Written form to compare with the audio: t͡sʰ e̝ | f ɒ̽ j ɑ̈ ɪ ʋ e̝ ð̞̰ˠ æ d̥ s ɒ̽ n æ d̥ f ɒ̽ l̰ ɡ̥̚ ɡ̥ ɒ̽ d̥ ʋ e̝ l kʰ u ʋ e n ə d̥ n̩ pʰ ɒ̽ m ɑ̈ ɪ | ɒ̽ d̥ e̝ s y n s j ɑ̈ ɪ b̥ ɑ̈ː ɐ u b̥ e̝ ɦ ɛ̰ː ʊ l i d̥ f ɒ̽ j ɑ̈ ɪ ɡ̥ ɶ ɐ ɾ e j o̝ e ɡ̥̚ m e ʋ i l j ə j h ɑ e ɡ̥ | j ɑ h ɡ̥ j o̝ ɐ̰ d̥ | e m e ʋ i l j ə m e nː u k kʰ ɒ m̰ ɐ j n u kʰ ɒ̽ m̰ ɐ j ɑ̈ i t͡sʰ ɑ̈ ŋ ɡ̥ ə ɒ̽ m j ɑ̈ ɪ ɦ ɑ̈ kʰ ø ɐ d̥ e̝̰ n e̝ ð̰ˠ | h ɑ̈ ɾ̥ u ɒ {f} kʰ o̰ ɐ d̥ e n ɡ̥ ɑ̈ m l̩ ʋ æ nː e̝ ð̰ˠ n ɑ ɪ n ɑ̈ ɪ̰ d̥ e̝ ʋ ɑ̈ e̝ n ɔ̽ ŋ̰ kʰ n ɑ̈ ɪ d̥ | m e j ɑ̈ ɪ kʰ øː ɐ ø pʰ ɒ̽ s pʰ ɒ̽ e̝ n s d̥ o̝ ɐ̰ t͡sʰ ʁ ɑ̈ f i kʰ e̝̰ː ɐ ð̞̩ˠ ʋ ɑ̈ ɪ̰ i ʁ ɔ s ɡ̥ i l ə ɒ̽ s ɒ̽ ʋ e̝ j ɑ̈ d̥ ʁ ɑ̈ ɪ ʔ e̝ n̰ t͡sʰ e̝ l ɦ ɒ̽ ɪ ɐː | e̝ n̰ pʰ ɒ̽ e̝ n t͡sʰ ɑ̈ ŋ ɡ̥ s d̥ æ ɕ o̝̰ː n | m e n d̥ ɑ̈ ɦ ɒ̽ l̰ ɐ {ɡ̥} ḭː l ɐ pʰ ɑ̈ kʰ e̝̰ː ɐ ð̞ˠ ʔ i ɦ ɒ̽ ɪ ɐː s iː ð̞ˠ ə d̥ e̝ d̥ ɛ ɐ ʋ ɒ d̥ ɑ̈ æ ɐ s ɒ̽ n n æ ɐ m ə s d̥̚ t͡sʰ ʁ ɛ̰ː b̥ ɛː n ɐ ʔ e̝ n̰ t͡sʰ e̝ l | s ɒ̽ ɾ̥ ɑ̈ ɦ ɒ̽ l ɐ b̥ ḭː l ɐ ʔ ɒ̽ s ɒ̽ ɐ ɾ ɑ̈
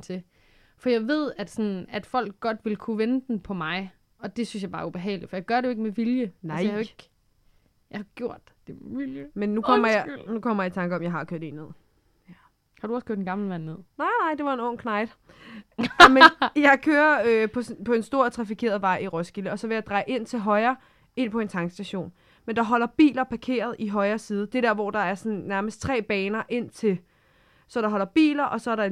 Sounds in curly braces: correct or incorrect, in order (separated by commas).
incorrect, incorrect